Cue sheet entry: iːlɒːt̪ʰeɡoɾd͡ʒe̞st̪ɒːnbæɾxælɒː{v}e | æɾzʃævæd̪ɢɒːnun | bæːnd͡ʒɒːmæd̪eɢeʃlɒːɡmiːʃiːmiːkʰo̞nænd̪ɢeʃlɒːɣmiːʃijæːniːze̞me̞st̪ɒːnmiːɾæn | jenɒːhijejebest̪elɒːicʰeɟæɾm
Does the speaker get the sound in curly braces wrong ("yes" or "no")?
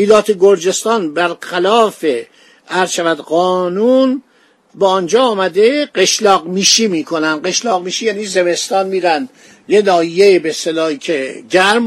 yes